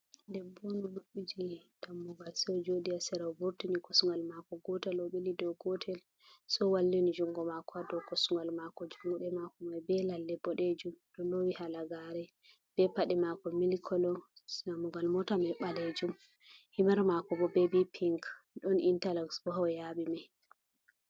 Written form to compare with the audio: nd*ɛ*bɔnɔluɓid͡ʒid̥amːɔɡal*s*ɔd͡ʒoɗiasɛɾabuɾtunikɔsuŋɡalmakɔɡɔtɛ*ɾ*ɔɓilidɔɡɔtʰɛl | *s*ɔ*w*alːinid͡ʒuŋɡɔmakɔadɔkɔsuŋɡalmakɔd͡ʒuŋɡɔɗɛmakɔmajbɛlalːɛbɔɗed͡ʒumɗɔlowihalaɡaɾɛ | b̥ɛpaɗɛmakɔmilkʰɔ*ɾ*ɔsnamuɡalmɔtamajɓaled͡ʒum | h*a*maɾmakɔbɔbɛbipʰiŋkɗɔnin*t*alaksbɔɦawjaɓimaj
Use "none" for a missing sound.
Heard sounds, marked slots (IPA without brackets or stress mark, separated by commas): ɛ, s, l, s, w, l, i, t